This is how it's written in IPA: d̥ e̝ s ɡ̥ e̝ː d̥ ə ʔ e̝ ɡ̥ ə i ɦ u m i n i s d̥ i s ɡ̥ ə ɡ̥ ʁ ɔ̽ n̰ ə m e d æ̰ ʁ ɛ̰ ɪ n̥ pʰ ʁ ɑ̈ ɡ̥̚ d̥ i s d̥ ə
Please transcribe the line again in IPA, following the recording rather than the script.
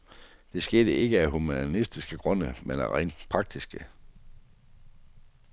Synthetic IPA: d̥ e̝ s ɡ̥ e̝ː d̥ ə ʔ e̝ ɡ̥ ə æ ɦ u m æ n i s d̥ i s ɡ̥ ə ɡ̥ ʁ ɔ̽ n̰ ə m e n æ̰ ʁ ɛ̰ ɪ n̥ pʰ ʁ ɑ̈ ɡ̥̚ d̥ i s ɡ̥ ə